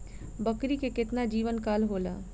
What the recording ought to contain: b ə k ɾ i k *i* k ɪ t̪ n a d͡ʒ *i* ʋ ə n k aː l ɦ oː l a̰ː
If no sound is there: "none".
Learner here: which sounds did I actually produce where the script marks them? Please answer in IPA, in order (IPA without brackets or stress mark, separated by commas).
e, iː